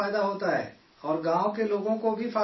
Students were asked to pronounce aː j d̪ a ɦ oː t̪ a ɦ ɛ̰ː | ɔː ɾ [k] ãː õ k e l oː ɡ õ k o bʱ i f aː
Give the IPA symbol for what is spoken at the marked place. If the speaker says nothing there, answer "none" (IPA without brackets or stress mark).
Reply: ɡ